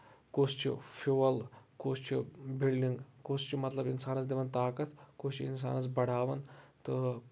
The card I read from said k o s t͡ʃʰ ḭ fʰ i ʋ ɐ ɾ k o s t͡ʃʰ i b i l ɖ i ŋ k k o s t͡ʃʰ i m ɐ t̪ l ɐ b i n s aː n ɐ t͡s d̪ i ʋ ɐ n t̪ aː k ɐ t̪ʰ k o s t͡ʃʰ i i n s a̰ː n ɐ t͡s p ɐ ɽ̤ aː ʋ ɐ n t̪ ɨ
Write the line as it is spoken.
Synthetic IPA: k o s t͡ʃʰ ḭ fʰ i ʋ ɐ l k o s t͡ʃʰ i b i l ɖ i ŋ ɡ k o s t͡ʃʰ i m ɐ t̪ l ɐ b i n s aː n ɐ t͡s d̪ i ʋ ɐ n t̪ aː k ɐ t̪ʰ k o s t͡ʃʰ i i n s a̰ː n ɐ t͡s b ɐ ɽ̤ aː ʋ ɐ n t̪ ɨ